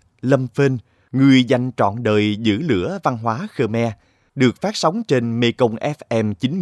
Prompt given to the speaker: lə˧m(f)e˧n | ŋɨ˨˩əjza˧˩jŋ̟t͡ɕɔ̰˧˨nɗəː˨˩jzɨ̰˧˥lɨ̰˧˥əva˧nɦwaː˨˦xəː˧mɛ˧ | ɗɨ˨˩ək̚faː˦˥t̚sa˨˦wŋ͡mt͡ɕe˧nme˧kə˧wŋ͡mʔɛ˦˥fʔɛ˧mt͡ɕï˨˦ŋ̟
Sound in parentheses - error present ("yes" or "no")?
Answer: no